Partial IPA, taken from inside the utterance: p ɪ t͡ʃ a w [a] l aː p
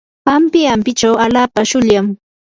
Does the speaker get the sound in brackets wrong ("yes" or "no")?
no